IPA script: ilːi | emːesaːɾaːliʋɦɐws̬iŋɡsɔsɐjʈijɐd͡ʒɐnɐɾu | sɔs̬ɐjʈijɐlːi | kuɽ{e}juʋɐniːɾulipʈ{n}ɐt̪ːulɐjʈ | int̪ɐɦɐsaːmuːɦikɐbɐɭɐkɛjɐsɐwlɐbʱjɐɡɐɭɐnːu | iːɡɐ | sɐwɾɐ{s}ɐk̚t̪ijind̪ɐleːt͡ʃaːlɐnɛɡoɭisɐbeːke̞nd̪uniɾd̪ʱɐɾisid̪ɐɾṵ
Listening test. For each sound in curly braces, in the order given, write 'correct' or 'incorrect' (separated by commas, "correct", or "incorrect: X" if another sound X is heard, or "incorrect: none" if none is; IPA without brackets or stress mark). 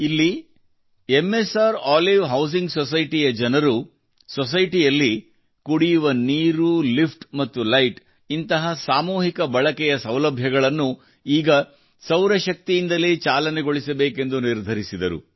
incorrect: i, incorrect: m, incorrect: ʃ